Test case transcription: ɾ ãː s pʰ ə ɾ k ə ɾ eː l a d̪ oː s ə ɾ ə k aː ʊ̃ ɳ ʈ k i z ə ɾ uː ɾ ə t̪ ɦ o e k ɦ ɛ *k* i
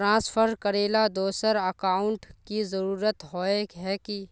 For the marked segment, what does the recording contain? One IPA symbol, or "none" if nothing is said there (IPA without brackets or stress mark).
k